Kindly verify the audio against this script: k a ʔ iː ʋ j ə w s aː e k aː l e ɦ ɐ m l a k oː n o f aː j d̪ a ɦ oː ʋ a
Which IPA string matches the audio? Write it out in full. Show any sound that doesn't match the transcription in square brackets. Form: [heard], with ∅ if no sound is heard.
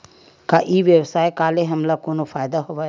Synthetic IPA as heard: k a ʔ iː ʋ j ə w s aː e k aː l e ɦ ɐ m l a k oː n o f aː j d̪ a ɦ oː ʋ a